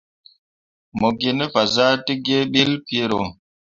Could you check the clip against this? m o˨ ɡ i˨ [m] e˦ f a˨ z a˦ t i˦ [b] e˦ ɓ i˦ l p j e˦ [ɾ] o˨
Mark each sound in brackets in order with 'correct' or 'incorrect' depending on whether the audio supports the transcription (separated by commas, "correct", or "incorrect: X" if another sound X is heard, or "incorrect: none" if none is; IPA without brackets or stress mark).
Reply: incorrect: n, incorrect: ɡ, correct